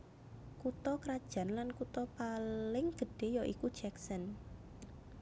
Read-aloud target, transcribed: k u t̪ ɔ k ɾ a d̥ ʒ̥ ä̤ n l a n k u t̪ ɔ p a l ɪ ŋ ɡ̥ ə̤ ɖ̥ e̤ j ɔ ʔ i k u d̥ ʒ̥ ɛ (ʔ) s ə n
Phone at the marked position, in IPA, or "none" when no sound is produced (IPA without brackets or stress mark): k